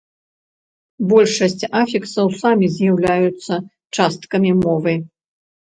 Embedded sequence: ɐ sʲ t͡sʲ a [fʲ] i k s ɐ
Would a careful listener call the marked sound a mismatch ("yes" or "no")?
no